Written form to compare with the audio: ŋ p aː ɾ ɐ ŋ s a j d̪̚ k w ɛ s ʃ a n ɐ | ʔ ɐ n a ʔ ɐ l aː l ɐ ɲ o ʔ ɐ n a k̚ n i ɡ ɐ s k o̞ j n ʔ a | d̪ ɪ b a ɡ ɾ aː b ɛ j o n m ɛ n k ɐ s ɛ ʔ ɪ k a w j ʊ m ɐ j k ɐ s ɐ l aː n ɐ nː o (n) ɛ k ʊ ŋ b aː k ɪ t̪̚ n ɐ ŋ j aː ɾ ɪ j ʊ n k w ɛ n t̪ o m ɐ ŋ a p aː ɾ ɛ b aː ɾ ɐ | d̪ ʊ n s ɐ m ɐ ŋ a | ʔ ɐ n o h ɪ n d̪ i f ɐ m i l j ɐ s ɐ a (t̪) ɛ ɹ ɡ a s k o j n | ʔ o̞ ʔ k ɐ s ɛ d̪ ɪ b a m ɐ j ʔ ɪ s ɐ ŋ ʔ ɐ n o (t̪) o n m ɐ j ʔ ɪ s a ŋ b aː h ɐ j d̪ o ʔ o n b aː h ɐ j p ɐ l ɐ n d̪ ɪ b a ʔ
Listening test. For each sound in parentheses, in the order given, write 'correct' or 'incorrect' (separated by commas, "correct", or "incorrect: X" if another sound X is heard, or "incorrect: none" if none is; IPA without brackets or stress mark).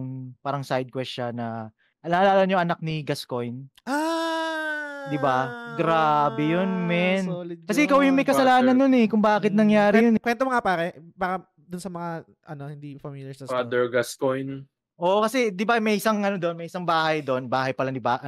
correct, incorrect: d̪, incorrect: d̪